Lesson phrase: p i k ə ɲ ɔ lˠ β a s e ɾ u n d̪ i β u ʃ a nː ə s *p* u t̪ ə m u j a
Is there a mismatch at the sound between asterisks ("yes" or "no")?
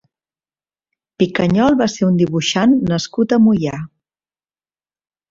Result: yes